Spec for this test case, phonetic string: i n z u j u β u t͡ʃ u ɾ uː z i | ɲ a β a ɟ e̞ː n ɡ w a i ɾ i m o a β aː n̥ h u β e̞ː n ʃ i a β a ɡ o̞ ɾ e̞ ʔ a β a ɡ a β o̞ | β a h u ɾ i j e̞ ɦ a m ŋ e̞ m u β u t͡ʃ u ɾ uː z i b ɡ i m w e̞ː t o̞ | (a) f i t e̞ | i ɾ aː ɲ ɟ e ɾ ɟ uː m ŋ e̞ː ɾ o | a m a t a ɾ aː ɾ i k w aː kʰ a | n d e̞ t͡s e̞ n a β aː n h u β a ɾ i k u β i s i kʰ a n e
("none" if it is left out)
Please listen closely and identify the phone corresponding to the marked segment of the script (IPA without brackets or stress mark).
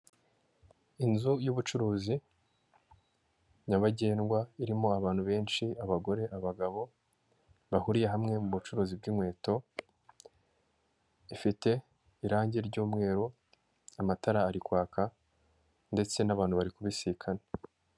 i